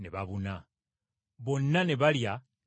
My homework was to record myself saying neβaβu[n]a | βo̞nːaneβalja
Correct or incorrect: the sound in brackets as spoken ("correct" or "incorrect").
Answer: correct